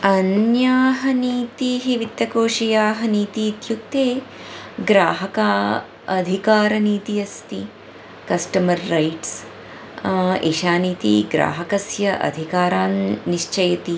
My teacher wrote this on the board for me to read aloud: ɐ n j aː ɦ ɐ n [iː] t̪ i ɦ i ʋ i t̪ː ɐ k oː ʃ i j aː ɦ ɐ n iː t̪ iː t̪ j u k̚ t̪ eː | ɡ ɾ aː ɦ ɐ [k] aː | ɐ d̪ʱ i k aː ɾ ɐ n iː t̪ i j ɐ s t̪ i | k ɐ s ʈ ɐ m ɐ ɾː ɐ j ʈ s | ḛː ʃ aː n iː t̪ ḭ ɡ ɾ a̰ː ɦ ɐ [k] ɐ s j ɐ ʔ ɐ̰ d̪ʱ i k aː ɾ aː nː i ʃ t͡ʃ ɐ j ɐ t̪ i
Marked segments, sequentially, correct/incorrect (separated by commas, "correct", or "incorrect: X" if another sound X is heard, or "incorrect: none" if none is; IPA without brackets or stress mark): correct, correct, correct